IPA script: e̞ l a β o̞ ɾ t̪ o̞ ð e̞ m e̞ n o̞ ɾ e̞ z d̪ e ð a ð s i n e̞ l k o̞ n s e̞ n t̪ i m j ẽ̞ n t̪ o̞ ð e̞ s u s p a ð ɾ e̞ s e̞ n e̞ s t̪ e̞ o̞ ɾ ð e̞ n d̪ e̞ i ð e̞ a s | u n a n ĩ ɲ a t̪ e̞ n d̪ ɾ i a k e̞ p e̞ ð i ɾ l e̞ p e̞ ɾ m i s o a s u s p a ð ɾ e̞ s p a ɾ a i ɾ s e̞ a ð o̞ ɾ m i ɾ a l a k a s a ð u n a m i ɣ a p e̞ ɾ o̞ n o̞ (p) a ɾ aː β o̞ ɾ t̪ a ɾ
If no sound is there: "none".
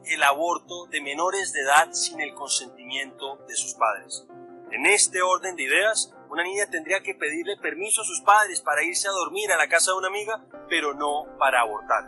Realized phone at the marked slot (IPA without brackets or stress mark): p